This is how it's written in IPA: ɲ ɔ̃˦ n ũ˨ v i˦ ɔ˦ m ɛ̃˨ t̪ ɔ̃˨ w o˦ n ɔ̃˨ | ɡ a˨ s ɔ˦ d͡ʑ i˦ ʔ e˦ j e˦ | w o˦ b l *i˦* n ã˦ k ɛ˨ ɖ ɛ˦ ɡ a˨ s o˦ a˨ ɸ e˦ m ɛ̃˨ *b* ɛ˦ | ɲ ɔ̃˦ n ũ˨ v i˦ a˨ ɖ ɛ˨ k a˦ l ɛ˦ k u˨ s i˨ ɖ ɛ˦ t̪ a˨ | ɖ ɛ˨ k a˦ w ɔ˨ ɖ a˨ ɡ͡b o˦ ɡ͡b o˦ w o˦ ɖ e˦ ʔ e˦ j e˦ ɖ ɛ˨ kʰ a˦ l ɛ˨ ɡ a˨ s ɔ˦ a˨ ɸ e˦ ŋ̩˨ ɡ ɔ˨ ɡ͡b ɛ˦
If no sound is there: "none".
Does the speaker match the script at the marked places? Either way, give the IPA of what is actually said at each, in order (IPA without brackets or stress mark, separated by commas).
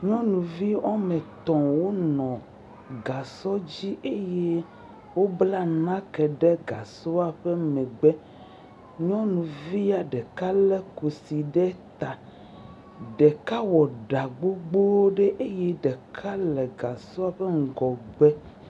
a˦, ɡ͡b